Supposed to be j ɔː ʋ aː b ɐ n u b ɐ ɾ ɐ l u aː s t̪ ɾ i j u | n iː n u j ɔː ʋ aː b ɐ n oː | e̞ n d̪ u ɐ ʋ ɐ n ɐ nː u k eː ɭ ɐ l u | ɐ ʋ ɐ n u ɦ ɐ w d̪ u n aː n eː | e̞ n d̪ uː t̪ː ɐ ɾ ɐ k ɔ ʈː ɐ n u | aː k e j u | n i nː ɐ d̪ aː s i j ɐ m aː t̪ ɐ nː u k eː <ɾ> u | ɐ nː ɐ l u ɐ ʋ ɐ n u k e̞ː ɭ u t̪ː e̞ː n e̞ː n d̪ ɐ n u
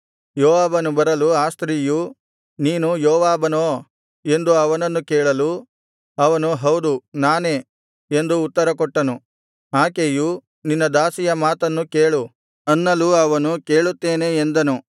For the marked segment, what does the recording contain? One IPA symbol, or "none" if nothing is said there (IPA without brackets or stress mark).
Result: ɭ